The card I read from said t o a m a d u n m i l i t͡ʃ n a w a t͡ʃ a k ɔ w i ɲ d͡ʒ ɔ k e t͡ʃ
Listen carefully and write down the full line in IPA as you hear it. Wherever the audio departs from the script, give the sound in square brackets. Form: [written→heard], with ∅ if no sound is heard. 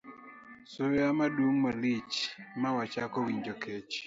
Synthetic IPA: [t→s] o a m a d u [n→ŋ] m [i→a] l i t͡ʃ [n→m] a w a t͡ʃ a k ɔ w i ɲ d͡ʒ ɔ k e t͡ʃ